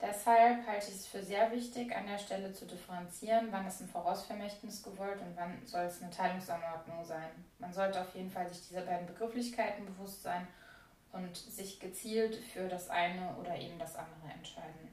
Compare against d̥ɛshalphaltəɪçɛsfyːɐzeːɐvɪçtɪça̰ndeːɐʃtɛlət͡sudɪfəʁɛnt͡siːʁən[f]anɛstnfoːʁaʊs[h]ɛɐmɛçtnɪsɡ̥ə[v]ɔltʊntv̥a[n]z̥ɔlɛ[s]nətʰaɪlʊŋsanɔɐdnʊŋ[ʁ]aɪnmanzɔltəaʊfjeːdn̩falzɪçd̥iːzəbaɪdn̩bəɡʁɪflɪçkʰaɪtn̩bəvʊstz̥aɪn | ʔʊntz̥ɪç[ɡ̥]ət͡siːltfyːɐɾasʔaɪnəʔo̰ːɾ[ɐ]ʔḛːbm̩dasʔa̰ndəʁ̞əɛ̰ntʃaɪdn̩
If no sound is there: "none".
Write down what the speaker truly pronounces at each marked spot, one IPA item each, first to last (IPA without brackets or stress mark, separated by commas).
v, f, v, n, s, z, ɡ̥, ɐ